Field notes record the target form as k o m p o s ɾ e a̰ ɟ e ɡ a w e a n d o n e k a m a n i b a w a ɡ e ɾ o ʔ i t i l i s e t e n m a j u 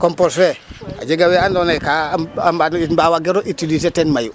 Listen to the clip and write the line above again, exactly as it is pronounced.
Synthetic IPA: k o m p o s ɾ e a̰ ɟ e ɡ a w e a n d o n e k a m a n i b a w a ɡ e ɾ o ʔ i t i l i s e t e n m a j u